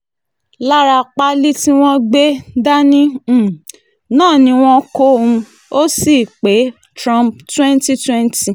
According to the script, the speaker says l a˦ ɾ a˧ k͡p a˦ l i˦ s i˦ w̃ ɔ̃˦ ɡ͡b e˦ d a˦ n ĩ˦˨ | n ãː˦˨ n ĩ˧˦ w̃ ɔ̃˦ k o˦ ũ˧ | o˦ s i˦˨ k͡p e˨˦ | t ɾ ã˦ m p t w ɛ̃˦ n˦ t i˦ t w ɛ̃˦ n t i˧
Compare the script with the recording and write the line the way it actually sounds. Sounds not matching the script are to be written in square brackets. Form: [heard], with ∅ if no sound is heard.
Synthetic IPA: l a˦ ɾ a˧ k͡p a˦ l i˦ [t] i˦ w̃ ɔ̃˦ ɡ͡b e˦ d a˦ n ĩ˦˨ | n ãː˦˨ n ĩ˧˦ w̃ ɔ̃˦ k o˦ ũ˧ | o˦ s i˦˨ k͡p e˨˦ | t ɾ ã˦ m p t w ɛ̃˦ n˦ t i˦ t w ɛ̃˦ n t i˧

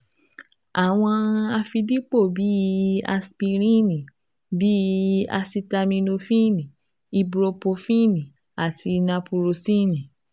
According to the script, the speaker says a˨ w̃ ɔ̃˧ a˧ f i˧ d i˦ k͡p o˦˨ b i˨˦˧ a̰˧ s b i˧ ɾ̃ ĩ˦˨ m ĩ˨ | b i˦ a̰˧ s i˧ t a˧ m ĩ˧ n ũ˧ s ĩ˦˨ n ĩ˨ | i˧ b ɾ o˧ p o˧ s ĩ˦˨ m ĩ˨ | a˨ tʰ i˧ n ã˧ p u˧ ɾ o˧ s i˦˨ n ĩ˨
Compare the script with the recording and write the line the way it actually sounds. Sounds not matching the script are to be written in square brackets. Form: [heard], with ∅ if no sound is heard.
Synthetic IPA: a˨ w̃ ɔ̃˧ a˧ f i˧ d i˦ k͡p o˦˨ b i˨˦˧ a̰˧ s [p] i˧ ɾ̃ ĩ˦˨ [n] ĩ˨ | b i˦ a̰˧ s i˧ t a˧ m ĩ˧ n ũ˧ [f] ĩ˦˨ n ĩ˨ | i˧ b ɾ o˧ p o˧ [f] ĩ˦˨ [n] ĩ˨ | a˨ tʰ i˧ n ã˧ p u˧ ɾ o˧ s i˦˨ n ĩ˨

